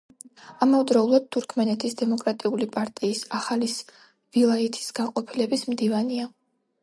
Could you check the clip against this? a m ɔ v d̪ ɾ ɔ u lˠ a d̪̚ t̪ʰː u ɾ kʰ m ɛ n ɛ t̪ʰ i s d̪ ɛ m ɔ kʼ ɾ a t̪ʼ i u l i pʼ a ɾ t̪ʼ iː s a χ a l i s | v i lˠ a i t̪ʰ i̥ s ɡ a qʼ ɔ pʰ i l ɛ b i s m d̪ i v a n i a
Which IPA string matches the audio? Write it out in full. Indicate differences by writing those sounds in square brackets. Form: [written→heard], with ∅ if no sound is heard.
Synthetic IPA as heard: a m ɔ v d̪ ɾ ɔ u lˠ a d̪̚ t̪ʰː u ɾ kʰ m ɛ n ɛ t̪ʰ i s d̪ ɛ m ɔ kʼ ɾ a t̪ʼ i u l i pʼ a ɾ t̪ʼ iː s a χ a l i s | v i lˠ a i t̪ʰ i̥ s ɡ a qʼ ɔ pʰ i l ɛ b i s m d̪ i v a n i a